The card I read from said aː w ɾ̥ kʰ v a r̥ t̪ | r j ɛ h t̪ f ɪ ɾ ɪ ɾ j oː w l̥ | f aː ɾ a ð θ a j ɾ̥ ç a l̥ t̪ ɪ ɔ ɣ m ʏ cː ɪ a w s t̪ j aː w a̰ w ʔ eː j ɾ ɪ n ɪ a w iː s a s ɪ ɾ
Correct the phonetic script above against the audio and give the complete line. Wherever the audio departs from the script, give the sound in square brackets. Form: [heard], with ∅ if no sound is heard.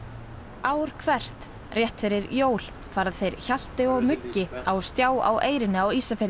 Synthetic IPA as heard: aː w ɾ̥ kʰ v [ɛ] r̥ t̪ | r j ɛ h t̪ f ɪ ɾ ɪ ɾ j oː w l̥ | f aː ɾ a ð θ [e] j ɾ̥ ç a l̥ t̪ ɪ ɔ ɣ m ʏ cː ɪ a w s t̪ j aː w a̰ w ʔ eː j ɾ ɪ n ɪ a w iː s a [f] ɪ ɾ

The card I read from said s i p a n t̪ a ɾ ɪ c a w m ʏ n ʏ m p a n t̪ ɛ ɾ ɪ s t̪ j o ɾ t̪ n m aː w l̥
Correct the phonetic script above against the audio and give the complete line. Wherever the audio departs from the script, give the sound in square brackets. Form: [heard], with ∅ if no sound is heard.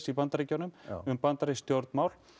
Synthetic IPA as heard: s i p a n t̪ a ɾ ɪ c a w [n] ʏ [m] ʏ m p a n t̪ [a] ɾ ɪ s t̪ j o ɾ t̪ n m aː w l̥

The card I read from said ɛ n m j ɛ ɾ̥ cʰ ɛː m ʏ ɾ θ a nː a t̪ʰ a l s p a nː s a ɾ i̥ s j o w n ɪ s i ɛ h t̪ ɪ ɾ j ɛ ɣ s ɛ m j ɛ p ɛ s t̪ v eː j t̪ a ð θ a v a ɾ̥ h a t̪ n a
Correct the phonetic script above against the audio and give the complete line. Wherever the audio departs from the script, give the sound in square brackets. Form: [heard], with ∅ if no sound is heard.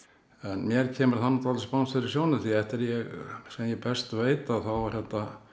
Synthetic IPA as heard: ɛ n m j ɛ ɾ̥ cʰ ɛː m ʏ ɾ θ a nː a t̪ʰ a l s p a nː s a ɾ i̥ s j o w n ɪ [θ] i ɛ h t̪ ɪ ɾ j ɛ ɣ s ɛ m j ɛ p ɛ s t̪ v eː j t̪ a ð θ a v a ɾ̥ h [ɛ] t̪ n a

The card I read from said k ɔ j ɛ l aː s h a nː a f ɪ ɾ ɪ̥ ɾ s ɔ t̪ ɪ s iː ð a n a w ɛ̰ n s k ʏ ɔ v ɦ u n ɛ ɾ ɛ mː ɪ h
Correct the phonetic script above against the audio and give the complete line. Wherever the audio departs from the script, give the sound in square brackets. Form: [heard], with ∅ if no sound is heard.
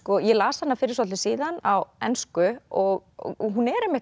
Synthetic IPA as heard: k ɔ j ɛ l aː s h a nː a f ɪ ɾ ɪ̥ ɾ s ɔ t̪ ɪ s iː ð a n a w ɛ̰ n s k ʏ ɔ [ɣ] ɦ u n ɛ ɾ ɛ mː ɪ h

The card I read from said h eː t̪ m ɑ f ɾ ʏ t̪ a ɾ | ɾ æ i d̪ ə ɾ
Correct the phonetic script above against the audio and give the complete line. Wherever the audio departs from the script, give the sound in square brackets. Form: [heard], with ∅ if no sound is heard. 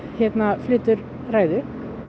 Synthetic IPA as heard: h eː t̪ [n] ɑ f [l] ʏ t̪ [ə] ɾ | ɾ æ [ɪ] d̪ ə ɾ

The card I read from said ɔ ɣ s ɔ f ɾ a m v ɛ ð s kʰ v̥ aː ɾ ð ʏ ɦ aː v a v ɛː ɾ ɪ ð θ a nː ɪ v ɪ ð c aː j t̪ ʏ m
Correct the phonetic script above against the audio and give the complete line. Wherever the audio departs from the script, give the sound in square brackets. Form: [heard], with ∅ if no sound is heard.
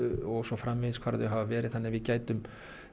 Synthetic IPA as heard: ɔ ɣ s ɔ f ɾ a m v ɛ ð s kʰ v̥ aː ɾ ð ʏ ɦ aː v a v ɛː ɾ ɪ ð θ a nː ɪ v ɪ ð c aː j t̪ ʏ m

